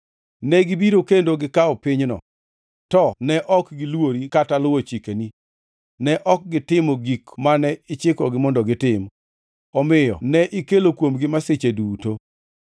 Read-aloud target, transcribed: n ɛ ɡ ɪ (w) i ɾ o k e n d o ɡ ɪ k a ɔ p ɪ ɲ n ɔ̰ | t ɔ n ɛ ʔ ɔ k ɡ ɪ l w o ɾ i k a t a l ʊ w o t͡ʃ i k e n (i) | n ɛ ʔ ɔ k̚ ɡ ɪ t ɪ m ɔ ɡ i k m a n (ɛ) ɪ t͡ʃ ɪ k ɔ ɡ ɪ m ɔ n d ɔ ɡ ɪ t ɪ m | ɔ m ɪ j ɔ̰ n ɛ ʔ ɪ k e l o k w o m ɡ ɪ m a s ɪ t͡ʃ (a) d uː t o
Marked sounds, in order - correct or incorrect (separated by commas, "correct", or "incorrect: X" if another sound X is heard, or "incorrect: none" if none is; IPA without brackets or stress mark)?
incorrect: b, correct, correct, incorrect: e